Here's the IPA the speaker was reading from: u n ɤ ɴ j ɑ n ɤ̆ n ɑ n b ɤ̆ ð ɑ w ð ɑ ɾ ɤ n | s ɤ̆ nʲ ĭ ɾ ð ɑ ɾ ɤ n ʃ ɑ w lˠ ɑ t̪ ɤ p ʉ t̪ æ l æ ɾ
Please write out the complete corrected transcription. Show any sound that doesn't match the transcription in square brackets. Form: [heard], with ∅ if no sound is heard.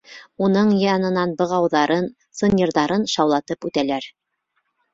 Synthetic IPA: u n ɤ ɴ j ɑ n ɤ̆ n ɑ n b ɤ̆ [ʁ] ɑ w ð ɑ ɾ ɤ n | s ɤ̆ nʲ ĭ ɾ ð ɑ ɾ ɤ n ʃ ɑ w lˠ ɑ t̪ ɤ p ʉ t̪ æ l æ ɾ